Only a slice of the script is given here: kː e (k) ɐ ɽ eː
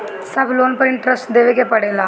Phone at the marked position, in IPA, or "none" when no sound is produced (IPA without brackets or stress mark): p